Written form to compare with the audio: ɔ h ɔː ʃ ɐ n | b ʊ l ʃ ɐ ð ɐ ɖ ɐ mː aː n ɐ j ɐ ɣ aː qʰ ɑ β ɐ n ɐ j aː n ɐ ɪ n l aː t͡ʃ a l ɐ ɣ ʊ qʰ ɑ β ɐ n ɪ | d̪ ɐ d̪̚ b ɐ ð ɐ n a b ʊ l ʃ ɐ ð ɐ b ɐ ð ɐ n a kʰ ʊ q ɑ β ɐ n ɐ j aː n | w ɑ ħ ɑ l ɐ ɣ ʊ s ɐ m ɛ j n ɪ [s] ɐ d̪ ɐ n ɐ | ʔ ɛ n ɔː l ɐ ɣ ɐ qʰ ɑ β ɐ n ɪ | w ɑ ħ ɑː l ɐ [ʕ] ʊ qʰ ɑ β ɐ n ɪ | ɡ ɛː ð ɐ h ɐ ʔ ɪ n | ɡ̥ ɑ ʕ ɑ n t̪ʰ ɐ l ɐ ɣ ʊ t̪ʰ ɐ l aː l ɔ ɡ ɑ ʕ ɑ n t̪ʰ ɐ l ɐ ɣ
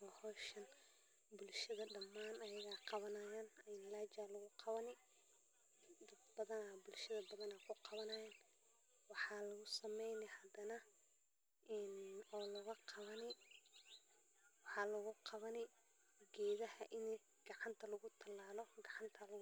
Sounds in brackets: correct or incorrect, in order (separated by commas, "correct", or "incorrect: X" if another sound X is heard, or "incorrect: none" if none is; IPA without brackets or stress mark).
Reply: incorrect: h, incorrect: ɣ